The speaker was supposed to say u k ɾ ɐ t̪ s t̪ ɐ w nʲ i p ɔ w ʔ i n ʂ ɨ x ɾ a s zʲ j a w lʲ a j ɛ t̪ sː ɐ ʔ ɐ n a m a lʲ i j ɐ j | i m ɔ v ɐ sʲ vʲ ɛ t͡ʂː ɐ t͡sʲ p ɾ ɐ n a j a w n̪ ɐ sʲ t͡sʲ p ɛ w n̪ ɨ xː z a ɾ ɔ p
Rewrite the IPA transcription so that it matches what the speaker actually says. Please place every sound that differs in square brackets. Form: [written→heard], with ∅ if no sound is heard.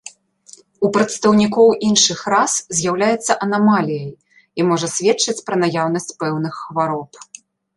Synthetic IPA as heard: u [k→p] ɾ ɐ t̪ s t̪ ɐ w nʲ i [p→k] ɔ w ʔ i n ʂ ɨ x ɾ a s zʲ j a w lʲ a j ɛ t̪ sː ɐ ʔ ɐ n a m a lʲ i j ɐ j | i m ɔ [v→ʐ] ɐ sʲ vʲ ɛ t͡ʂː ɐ t͡sʲ p ɾ ɐ n a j a w n̪ ɐ sʲ t͡sʲ p ɛ w n̪ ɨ xː [z→v] a ɾ ɔ p